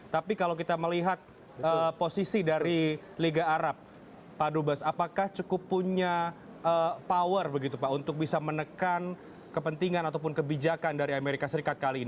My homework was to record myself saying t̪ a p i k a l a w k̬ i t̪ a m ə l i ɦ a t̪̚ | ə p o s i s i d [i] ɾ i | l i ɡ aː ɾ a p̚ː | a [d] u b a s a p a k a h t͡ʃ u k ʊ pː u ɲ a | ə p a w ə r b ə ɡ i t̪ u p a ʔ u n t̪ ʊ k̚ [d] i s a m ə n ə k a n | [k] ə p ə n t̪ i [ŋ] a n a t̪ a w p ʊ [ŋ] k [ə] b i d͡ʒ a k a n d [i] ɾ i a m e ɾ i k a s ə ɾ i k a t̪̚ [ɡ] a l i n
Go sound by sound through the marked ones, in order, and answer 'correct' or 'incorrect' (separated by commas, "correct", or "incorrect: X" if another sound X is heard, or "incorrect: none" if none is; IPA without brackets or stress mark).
incorrect: a, correct, incorrect: b, correct, correct, incorrect: n, correct, incorrect: a, incorrect: k